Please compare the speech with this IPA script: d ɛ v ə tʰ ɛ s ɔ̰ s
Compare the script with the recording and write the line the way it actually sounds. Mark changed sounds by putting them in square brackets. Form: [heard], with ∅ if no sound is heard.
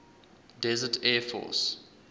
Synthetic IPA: d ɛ [z] ə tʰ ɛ [f] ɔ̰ s